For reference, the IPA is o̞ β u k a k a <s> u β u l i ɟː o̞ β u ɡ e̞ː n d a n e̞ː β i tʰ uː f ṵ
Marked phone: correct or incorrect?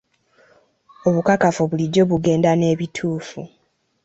incorrect